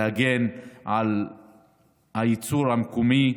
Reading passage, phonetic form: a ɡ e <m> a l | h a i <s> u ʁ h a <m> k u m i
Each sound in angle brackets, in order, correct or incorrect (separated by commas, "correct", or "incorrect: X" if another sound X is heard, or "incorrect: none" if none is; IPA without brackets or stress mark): incorrect: n, incorrect: t͡s, correct